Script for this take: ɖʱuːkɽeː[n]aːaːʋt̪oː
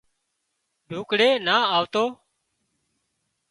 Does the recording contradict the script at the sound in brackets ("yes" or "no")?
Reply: no